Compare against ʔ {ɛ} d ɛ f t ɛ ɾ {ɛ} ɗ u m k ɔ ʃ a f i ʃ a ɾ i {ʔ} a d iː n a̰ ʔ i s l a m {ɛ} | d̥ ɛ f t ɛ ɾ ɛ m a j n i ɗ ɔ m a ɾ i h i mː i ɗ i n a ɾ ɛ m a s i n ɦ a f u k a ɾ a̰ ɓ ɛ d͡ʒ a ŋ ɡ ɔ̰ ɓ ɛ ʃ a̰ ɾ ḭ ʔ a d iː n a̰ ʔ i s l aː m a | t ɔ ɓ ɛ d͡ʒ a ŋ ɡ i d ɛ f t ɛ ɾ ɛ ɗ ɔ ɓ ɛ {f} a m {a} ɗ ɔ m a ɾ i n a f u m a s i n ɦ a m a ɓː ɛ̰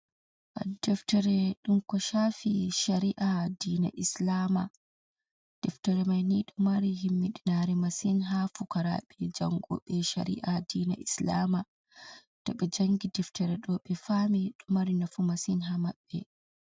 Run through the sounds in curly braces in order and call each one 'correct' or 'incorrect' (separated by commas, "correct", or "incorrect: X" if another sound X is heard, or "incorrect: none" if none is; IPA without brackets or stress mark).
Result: incorrect: a, correct, correct, incorrect: a, correct, incorrect: i